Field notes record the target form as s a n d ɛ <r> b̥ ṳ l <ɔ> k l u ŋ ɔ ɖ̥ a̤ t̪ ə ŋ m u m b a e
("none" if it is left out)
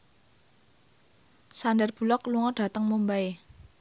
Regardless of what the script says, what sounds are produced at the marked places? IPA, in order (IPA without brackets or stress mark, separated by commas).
r, ɔ